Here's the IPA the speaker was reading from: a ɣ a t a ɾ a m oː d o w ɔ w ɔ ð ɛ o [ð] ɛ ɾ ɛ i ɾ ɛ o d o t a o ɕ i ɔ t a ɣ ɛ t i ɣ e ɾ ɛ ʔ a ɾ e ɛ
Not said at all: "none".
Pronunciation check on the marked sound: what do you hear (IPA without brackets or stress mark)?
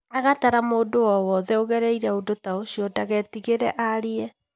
ɣ